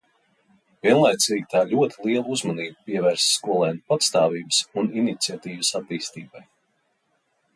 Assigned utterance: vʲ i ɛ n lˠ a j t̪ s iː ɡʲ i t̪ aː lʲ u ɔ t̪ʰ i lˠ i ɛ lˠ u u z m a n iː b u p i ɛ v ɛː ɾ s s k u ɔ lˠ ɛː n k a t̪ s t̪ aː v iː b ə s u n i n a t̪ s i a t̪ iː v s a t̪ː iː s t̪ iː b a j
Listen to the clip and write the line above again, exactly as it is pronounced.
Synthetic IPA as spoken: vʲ i ɛ n lˠ a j t̪ s iː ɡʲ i t̪ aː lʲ u ɔ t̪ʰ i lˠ i ɛ lˠ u u z m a n iː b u p i ɛ v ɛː ɾ s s k u ɔ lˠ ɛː n p a t̪ s t̪ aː v iː b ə s u n i n i t̪ s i a t̪ iː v s a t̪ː iː s t̪ iː b a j